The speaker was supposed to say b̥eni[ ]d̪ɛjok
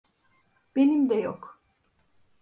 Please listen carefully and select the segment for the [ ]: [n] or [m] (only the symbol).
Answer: m